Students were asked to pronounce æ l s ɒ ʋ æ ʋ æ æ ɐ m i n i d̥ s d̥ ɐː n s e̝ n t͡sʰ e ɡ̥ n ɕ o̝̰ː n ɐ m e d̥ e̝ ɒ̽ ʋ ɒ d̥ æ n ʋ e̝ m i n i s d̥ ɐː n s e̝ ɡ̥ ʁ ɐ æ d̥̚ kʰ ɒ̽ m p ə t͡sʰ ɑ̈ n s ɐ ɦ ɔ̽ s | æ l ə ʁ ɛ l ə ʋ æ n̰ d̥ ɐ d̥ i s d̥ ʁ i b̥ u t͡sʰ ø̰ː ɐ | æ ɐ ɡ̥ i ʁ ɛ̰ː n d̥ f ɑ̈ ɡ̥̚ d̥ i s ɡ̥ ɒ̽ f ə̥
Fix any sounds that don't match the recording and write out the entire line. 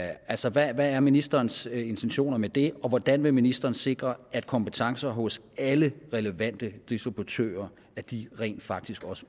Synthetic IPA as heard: æ l s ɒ ʋ æ ʋ æ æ ɐ m i n i s d̥ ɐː n s e̝ n t͡sʰ e n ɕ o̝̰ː n ɐ m e d̥ e̝ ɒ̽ ʋ ɒ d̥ æ n ʋ e̝ m i n i s d̥ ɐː n s e̝ ɡ̥ ʁ ɐ æ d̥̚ kʰ ɒ̽ m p ə t͡sʰ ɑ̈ ŋ s ɐ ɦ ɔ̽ s | æ l ə ʁ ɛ l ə ʋ æ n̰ d̥ ə d̥ i s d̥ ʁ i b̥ u t͡sʰ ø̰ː ɐ | æ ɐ d̥ i ʁ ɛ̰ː n d̥ f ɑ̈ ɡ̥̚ d̥ i s ɡ̥ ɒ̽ s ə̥